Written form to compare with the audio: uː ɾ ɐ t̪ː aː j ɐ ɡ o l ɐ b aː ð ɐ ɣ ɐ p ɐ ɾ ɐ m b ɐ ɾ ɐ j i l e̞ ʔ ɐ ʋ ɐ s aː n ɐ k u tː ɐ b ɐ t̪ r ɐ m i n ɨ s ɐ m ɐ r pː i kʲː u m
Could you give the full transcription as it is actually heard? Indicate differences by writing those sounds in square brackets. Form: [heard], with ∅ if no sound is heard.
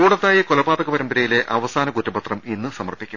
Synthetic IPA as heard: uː [ɽ] ɐ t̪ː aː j ɐ [k] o l ɐ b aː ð ɐ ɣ ɐ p ɐ ɾ ɐ m b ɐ ɾ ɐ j i l e̞ ʔ ɐ ʋ ɐ s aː n ɐ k u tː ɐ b ɐ t̪ r ɐ m i [nː] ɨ s ɐ m ɐ r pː i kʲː u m